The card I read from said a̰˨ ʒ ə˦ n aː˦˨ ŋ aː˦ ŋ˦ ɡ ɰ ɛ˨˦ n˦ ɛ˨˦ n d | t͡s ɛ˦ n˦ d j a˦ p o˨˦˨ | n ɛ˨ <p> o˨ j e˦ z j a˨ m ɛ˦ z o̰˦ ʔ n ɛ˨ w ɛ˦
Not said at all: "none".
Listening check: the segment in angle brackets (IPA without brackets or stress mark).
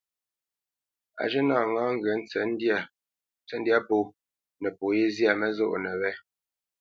p